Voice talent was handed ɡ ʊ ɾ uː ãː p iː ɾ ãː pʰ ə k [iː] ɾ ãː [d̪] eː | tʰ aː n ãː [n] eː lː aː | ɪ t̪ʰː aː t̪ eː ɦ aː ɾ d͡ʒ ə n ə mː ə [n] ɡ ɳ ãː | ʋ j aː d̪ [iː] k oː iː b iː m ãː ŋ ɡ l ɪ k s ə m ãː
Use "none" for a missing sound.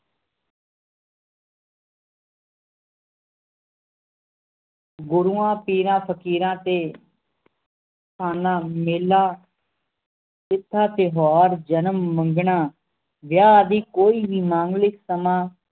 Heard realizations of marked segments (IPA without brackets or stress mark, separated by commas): iː, t̪, m, ŋ, iː